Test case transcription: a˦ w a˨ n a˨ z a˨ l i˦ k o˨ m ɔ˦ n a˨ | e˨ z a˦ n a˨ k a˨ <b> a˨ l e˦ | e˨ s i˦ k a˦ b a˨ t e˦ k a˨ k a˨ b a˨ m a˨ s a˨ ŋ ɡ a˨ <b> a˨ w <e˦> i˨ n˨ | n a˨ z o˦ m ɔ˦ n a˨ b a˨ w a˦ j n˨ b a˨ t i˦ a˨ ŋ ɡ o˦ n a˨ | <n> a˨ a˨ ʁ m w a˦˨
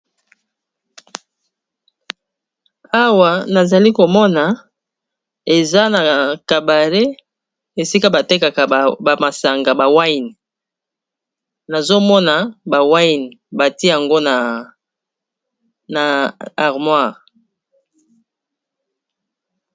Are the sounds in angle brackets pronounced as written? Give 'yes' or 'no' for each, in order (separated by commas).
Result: yes, yes, no, yes